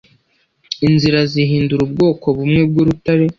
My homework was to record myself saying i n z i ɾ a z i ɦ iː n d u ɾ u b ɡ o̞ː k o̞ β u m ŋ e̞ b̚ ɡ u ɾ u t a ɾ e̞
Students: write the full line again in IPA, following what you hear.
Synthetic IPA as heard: i n z i ɾ a z i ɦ iː n d u ɾ u b ɡ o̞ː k o̞ β u m ŋ e̞ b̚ ɡ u ɾ u t a ɾ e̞